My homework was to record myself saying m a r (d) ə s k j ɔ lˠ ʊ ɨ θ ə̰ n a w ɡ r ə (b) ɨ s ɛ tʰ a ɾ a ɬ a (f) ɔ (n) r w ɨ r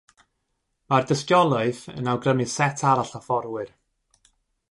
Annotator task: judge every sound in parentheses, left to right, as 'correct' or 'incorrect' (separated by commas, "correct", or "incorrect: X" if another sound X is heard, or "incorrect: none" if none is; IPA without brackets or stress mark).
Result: correct, incorrect: m, correct, incorrect: none